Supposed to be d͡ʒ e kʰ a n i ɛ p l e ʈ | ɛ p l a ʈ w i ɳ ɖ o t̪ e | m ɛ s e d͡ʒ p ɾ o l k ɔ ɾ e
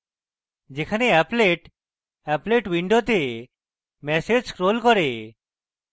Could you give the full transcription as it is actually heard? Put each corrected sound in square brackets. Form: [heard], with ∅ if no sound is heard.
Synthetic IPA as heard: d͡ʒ e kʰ a n [e] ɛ p l e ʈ | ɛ p l [e] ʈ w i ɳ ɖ o t̪ e | m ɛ s e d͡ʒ [k] ɾ o l k ɔ ɾ e